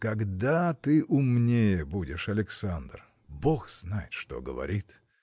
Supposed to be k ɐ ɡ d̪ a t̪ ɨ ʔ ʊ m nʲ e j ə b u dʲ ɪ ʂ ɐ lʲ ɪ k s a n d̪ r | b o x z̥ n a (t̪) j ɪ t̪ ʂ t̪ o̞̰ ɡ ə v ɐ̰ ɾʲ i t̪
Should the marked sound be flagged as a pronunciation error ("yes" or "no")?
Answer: yes